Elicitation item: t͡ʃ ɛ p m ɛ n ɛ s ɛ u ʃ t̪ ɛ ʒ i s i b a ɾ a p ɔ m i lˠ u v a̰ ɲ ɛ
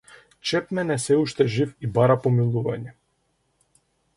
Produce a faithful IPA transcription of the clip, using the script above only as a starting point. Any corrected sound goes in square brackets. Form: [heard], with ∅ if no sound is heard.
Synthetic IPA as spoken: t͡ʃ ɛ p m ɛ n ɛ s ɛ u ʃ t̪ ɛ ʒ i [f] i b a ɾ a p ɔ m i lˠ u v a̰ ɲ ɛ